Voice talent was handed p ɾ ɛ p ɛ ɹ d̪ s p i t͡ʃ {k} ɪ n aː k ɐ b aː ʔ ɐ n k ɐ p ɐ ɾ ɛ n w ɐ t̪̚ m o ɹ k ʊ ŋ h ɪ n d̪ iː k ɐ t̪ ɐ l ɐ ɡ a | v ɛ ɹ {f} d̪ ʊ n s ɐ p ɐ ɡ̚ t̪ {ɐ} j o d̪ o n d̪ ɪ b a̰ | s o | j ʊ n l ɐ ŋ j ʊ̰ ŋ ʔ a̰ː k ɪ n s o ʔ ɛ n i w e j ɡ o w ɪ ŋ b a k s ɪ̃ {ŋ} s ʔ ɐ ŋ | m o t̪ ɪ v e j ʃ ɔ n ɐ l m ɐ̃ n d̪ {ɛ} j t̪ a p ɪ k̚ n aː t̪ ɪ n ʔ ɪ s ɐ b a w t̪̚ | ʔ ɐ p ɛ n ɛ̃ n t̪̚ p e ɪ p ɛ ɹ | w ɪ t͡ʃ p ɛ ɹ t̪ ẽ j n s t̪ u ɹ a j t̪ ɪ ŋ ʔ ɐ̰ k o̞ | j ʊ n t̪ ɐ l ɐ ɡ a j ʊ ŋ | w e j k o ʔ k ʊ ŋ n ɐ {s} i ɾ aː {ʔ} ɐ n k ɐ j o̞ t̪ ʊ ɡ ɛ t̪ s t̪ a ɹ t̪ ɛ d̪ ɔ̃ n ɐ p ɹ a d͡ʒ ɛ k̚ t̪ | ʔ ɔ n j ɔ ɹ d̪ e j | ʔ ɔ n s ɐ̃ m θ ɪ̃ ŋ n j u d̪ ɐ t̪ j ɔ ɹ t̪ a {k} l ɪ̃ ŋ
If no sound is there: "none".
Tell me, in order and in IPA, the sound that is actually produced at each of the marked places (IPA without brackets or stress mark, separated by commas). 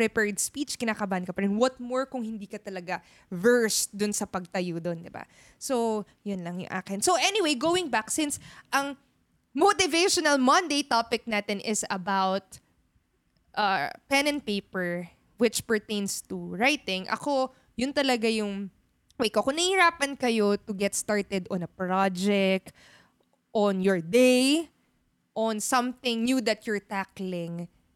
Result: k, s, ɐ, n, e, h, p, k